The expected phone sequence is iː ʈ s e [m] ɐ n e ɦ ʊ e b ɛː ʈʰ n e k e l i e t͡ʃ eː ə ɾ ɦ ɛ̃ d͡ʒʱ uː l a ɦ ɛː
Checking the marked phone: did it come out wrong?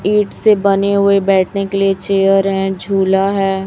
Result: yes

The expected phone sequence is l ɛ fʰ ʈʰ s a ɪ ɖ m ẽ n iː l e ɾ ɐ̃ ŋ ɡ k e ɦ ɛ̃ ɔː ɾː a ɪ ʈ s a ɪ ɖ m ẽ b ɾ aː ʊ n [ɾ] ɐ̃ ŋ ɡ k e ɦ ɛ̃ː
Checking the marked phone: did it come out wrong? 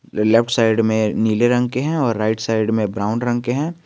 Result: no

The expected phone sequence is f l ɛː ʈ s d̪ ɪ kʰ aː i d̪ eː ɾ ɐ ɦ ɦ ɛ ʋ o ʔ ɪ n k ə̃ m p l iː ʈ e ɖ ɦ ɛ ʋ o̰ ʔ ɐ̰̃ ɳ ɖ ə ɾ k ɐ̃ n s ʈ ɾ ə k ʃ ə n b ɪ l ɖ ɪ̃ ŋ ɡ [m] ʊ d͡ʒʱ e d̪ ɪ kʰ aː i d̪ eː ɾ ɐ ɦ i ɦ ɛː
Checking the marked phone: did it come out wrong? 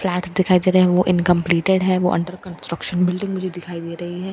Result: no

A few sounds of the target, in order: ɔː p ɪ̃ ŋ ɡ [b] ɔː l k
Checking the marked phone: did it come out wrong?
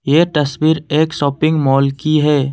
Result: yes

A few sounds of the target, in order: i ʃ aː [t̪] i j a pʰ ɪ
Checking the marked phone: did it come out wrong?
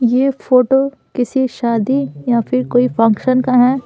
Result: yes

